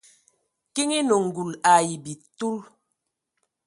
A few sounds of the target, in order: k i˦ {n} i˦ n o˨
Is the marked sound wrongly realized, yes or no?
yes